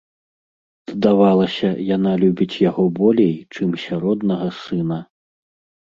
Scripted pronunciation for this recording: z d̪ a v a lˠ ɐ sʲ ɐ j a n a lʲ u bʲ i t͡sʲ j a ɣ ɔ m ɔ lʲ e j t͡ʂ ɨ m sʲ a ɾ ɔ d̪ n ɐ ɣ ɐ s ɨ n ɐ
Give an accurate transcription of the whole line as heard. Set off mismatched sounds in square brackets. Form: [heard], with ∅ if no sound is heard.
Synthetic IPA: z d̪ a v a lˠ ɐ sʲ ɐ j a n a lʲ u bʲ i t͡sʲ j a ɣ ɔ [b] ɔ lʲ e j t͡ʂ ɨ m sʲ a ɾ ɔ d̪ n ɐ ɣ ɐ s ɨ n ɐ